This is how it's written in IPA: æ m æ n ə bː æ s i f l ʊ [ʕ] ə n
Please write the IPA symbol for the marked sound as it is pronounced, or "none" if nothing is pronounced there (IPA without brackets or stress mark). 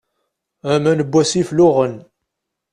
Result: ʁ